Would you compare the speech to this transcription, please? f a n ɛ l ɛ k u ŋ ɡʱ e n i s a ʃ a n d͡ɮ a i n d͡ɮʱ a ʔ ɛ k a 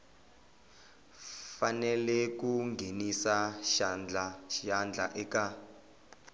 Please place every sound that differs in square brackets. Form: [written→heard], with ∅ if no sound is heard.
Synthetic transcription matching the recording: f a n ɛ l ɛ k u ŋ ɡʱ e n i s a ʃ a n d͡ɮ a [i→a] n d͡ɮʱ a ʔ ɛ k a